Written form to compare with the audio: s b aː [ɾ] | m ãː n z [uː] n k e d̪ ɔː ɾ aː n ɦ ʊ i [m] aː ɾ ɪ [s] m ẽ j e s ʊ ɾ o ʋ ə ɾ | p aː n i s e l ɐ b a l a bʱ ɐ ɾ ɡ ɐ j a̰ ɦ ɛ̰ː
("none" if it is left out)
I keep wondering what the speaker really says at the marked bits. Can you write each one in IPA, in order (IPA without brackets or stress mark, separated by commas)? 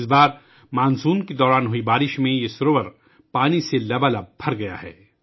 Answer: ɾ, uː, b, ʃ